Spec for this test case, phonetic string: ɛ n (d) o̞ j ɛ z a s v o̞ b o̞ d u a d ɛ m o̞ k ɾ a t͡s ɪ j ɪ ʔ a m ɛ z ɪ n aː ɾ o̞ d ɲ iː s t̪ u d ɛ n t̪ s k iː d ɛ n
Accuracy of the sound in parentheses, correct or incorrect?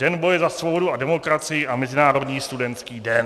incorrect